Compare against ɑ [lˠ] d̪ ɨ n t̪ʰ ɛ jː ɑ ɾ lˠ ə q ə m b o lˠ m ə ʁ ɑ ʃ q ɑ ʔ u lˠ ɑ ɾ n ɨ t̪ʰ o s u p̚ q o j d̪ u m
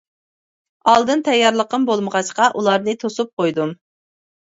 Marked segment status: correct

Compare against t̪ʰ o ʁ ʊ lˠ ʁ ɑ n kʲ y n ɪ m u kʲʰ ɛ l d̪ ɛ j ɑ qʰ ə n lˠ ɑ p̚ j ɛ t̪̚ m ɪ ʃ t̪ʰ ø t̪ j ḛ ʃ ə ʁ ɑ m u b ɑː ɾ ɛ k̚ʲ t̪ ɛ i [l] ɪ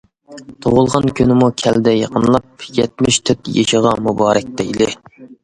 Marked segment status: correct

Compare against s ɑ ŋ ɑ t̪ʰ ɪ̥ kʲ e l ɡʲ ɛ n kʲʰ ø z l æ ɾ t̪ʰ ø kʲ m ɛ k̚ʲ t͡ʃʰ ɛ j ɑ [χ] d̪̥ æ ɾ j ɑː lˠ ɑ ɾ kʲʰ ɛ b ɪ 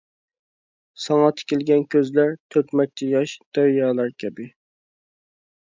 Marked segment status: incorrect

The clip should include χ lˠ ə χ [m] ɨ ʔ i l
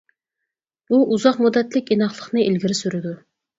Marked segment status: incorrect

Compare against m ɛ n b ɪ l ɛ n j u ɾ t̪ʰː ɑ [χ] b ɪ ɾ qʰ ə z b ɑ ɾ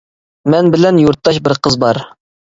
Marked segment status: incorrect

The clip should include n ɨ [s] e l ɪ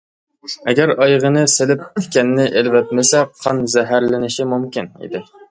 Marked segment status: correct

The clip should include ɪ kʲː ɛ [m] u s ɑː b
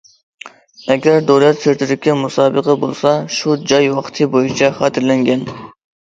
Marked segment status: correct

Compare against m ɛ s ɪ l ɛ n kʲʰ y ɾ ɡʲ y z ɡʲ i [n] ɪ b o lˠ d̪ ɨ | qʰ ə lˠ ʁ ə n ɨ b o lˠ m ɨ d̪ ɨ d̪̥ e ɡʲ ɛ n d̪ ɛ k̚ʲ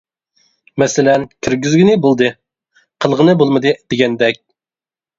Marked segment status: correct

